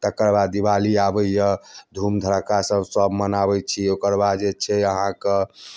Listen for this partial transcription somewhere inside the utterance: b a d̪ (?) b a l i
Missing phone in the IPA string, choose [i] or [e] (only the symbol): i